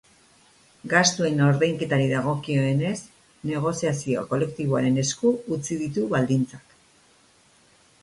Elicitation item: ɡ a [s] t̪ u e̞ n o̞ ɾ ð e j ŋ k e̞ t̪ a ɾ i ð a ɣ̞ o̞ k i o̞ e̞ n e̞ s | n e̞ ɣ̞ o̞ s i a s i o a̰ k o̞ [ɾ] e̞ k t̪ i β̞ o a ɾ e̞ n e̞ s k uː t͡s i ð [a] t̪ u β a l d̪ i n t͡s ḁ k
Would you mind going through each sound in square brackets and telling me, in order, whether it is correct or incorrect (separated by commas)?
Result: correct, incorrect, incorrect